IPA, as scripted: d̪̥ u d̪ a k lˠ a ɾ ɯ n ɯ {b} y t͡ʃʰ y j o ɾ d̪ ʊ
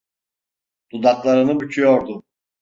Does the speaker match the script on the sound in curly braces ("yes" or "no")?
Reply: yes